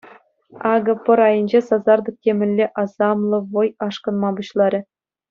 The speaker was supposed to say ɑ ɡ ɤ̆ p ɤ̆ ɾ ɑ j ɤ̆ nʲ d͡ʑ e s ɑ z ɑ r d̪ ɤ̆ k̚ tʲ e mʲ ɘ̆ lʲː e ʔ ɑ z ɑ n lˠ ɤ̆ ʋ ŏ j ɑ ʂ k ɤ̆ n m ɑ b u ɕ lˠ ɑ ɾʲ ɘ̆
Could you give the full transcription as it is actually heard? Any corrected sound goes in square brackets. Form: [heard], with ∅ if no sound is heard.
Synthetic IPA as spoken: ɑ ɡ ɤ̆ p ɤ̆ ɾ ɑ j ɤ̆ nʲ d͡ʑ e s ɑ z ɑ r d̪ ɤ̆ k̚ tʲ e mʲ ɘ̆ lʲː e ʔ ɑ z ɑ [m] lˠ ɤ̆ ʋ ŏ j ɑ ʂ k ɤ̆ n m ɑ b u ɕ lˠ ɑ ɾʲ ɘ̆

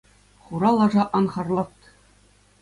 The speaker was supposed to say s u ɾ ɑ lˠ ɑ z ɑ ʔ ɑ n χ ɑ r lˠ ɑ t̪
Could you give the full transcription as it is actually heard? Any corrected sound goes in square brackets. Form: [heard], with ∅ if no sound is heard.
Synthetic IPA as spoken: [χ] u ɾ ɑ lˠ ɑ [ʐ] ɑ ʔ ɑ n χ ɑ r lˠ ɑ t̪

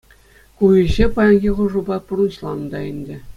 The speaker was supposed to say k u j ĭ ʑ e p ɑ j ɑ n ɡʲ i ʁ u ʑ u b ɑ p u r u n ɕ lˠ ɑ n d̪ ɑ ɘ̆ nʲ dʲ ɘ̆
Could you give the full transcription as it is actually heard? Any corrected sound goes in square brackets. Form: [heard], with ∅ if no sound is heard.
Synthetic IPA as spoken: k u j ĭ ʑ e p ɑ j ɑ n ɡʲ i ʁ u [ʐ] u b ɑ p u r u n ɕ lˠ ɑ n d̪ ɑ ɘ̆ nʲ dʲ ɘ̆

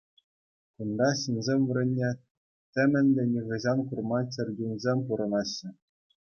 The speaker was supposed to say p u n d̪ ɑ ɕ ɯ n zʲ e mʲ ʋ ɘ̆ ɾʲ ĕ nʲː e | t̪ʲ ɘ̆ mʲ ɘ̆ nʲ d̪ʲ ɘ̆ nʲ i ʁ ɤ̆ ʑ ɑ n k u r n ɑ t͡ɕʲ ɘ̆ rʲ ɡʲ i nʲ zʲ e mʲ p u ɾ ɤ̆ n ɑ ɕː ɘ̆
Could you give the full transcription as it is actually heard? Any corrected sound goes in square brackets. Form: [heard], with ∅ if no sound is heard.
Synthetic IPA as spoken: [k] u n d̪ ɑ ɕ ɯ n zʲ e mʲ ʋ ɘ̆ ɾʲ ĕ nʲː e | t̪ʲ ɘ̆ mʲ ɘ̆ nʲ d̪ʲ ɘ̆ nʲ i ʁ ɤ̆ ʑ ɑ n k u r [m] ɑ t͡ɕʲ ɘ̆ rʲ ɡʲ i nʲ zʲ e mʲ p u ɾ ɤ̆ n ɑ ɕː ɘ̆

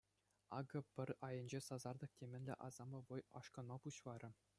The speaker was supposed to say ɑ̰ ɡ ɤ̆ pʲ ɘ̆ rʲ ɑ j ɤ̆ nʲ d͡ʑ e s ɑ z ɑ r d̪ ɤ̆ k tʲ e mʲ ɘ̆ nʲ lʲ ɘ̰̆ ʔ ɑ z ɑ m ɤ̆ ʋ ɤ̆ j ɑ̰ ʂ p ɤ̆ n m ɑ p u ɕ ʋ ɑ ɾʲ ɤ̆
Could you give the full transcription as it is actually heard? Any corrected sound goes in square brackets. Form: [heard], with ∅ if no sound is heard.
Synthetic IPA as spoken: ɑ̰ ɡ ɤ̆ pʲ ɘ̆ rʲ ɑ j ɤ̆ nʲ d͡ʑ e s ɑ z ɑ r d̪ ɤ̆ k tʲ e mʲ ɘ̆ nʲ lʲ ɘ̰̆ ʔ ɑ z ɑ m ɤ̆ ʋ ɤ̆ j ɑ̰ ʂ [k] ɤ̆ n m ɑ p u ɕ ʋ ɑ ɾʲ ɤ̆

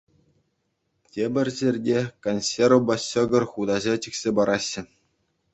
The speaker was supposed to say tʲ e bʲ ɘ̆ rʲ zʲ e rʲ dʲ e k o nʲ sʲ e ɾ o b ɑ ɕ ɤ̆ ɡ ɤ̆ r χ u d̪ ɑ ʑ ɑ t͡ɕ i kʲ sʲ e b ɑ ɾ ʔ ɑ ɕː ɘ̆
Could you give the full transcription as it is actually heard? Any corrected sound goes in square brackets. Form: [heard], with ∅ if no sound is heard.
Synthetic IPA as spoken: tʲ e bʲ ɘ̆ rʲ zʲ e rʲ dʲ e k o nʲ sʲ e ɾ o b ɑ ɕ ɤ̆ ɡ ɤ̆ r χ u d̪ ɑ ʑ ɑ t͡ɕ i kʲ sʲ e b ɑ ɾ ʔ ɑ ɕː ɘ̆

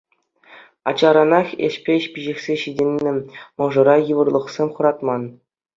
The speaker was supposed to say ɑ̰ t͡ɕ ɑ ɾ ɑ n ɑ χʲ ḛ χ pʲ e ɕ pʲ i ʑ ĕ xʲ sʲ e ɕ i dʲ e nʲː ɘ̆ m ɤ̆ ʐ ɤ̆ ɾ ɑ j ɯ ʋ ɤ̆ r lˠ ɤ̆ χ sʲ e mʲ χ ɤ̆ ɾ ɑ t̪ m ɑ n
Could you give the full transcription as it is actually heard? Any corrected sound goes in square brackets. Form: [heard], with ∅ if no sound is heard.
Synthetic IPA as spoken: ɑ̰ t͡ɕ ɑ ɾ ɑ n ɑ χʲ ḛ [ɕ] pʲ e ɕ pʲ i ʑ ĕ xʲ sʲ e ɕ i dʲ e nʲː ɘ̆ m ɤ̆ ʐ ɤ̆ ɾ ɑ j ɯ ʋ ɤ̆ r lˠ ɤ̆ χ sʲ e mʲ χ ɤ̆ ɾ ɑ t̪ m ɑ n

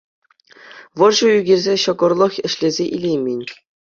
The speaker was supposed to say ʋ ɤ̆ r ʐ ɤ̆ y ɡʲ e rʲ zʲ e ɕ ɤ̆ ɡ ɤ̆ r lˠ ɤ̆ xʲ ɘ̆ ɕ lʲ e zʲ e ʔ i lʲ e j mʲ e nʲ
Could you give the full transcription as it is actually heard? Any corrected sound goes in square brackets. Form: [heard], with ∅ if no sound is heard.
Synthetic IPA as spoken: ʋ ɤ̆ r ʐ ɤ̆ y ɡʲ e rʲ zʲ e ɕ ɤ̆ ɡ ɤ̆ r lˠ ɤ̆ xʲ ɘ̆ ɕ lʲ e zʲ e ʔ i lʲ e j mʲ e nʲ

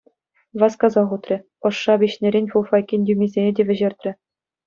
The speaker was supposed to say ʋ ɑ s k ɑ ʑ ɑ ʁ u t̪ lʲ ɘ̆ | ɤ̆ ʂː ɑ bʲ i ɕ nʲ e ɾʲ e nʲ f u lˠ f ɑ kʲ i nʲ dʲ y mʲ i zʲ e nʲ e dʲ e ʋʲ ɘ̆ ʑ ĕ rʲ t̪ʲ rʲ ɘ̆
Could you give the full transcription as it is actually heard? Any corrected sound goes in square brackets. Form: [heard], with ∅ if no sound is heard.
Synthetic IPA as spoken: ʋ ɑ s k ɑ [z] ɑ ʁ u t̪ [rʲ] ɘ̆ | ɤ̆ ʂː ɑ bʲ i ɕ nʲ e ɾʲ e nʲ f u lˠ f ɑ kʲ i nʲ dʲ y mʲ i zʲ e nʲ e dʲ e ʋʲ ɘ̆ ʑ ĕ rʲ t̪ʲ rʲ ɘ̆

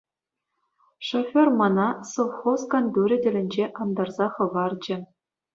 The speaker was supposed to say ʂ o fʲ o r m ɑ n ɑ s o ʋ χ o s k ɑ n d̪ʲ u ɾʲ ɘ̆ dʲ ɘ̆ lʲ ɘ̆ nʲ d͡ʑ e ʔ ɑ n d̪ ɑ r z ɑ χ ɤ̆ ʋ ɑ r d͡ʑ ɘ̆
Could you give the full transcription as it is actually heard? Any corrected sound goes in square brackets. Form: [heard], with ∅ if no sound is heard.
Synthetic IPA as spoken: ʂ o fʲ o r m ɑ n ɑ s o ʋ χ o s k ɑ n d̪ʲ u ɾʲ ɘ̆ dʲ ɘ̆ lʲ ɘ̆ nʲ d͡ʑ e ʔ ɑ n d̪ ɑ r z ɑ χ ɤ̆ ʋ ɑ r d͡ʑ ɘ̆

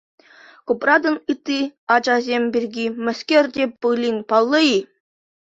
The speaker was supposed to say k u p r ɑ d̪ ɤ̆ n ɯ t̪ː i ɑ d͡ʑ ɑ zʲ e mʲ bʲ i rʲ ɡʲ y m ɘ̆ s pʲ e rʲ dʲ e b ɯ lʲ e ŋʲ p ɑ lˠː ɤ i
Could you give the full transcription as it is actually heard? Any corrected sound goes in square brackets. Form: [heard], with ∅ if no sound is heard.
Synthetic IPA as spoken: k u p r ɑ d̪ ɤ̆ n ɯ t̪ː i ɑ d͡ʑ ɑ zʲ e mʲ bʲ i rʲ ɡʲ [i] m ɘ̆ s [kʲ] e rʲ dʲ e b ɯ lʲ [i] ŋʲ p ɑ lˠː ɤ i

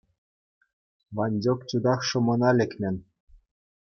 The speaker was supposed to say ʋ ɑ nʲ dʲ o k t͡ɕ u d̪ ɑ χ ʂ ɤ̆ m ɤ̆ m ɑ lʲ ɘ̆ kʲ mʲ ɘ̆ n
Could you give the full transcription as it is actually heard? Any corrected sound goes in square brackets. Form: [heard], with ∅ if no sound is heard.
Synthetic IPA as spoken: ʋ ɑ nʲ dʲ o k t͡ɕ u d̪ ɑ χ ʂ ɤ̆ m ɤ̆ [n] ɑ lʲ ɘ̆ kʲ mʲ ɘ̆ n

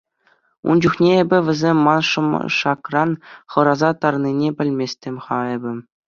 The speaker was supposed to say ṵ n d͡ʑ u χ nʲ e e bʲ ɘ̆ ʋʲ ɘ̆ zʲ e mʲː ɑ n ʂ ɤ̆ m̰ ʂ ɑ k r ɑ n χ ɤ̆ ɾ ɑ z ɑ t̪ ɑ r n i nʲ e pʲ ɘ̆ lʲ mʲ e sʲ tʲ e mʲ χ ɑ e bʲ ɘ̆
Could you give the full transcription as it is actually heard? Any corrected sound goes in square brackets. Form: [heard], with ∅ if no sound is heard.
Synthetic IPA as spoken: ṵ n d͡ʑ u χ nʲ e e bʲ ɘ̆ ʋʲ ɘ̆ zʲ e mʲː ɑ n ʂ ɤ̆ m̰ ʂ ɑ k r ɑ n χ ɤ̆ ɾ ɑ z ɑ t̪ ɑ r n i nʲ e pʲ ɘ̆ lʲ mʲ e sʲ tʲ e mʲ χ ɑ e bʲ ɘ̆

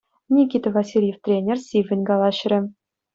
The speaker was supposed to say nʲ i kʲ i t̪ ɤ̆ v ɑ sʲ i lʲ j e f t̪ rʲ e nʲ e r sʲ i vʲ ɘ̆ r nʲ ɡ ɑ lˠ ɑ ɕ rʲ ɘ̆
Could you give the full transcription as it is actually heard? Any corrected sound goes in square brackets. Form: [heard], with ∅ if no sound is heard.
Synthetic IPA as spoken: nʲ i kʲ i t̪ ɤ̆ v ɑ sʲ i lʲ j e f t̪ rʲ e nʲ e r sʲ i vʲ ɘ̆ [∅] nʲ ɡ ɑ lˠ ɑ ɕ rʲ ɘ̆

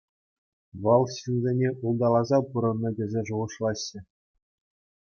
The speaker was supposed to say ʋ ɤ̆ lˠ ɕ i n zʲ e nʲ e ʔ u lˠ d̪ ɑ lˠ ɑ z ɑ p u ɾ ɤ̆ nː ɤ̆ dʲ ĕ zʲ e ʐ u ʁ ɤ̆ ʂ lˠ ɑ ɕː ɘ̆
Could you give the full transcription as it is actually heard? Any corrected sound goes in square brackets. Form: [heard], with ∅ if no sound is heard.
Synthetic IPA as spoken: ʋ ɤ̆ lˠ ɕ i n zʲ e nʲ e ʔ u lˠ d̪ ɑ lˠ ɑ z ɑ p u ɾ ɤ̆ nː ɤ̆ dʲ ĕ zʲ e ʐ u ʁ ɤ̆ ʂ lˠ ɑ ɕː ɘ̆

